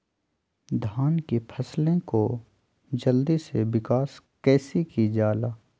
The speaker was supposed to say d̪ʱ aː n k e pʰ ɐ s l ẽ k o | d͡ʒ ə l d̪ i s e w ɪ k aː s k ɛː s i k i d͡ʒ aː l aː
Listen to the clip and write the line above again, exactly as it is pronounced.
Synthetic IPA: d̪ʱ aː n k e pʰ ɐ s l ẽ k o | d͡ʒ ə l d̪ i s e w ɪ k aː s k ɛː s i k i d͡ʒ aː l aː